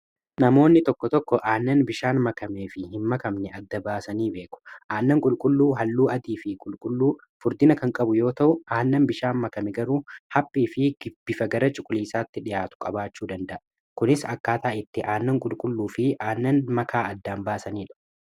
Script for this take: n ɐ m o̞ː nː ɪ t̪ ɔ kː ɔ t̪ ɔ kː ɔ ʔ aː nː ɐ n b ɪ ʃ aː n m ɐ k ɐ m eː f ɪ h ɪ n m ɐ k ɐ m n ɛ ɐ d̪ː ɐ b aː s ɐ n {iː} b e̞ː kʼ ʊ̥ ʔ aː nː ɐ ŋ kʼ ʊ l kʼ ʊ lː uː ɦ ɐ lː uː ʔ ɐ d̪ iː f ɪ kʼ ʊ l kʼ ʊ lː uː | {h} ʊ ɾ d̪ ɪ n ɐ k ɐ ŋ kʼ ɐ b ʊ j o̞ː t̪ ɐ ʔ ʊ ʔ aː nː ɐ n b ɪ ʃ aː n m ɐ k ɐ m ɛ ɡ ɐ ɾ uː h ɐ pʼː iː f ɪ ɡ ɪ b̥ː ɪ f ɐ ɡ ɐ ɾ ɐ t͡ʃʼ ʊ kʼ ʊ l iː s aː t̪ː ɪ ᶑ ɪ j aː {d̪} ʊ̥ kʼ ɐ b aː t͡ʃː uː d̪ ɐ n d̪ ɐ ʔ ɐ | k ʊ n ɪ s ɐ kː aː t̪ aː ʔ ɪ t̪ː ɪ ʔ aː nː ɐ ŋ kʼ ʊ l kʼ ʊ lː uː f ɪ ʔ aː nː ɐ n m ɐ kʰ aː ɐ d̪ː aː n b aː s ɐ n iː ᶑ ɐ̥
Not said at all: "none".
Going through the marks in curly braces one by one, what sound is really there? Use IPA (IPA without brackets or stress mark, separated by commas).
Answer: iː, f, t̪